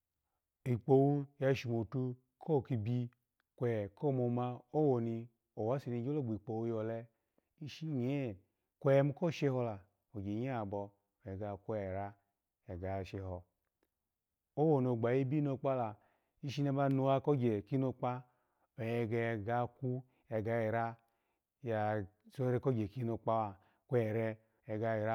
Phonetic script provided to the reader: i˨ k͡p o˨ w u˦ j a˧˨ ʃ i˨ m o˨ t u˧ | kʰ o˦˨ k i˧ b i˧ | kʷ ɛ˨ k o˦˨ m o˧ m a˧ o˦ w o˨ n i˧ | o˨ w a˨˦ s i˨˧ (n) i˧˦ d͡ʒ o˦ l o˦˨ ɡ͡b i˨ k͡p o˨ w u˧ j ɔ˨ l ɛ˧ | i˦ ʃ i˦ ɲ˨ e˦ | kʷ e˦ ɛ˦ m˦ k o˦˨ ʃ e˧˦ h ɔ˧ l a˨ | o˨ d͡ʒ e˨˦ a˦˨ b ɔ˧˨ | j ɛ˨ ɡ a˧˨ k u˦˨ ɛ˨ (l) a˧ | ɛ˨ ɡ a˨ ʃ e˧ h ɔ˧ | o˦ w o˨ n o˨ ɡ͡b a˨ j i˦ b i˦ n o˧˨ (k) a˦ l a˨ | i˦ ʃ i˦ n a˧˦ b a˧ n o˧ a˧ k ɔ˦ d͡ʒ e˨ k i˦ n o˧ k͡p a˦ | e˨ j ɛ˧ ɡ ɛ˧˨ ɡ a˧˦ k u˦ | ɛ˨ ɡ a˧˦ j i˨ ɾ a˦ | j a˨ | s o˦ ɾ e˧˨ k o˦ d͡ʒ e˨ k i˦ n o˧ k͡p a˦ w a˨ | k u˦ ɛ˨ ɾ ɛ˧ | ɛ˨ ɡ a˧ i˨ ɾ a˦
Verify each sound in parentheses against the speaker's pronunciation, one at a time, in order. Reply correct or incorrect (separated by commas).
correct, incorrect, incorrect